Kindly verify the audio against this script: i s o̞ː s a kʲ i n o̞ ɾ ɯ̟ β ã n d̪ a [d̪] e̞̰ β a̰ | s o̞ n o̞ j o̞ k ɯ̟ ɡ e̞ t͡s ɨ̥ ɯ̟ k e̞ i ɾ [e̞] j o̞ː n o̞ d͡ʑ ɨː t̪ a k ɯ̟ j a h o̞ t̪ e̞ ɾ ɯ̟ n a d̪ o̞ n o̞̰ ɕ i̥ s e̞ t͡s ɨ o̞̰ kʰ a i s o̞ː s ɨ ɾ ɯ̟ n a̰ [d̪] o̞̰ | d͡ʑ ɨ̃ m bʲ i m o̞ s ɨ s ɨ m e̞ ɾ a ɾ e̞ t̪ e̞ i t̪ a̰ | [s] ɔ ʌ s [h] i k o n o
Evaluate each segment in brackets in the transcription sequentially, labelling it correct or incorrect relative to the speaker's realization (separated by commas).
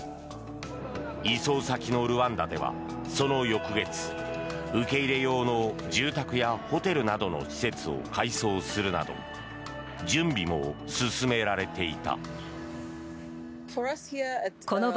correct, correct, correct, incorrect, correct